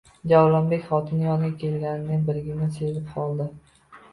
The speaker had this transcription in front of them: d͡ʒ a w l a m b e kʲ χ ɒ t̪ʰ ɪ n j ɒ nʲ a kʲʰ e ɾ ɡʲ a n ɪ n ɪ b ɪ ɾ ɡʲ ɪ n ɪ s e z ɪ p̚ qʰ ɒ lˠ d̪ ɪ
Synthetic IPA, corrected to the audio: d͡ʒ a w l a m b e kʲ χ ɒ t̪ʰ ɪ n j ɒ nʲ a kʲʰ e l ɡʲ a n ɪ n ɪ b ɪ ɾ ɡʲ ɪ n ɪ s e z ɪ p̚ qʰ ɒ lˠ d̪ ɪ